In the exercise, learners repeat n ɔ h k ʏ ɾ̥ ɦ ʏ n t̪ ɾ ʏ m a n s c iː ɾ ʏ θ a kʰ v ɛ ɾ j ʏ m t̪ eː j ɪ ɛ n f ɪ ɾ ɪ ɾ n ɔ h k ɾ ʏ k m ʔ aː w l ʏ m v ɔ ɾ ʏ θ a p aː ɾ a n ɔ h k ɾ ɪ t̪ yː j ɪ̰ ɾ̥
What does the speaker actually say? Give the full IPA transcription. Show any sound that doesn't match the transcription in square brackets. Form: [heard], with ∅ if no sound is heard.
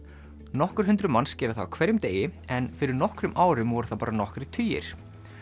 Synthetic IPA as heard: n ɔ h k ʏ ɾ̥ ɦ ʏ n t̪ ɾ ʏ m a n s c [ɛː] ɾ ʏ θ a kʰ v ɛ ɾ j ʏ m t̪ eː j ɪ ɛ n f ɪ ɾ ɪ ɾ n ɔ h k ɾ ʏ [∅] m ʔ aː w [ɾ] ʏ m v ɔ ɾ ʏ θ a p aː ɾ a n ɔ h k ɾ ɪ [t̪ʰ] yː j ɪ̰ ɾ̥